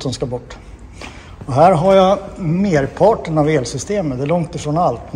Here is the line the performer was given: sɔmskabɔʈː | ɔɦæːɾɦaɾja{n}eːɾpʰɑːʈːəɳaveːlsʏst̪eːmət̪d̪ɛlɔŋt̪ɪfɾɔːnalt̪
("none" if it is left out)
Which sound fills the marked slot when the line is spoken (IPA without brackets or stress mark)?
m